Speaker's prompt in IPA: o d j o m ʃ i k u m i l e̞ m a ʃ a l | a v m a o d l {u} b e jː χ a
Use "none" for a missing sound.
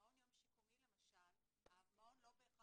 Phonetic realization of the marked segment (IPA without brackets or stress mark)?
o